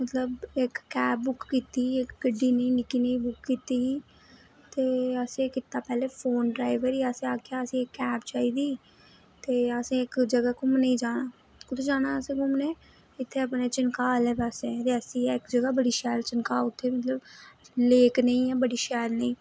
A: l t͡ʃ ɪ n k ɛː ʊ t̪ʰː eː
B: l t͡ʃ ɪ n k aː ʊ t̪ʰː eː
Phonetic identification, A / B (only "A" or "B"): B